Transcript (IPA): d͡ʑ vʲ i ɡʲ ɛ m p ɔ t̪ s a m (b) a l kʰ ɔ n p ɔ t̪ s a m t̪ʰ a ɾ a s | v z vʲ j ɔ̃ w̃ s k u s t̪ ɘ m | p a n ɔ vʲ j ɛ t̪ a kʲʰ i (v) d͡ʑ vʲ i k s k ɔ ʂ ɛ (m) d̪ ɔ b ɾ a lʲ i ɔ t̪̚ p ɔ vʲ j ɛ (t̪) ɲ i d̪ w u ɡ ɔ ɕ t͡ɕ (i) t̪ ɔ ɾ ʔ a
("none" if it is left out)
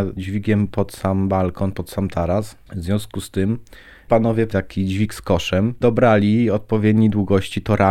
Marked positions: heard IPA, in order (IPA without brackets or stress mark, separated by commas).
b, none, m, d̪, i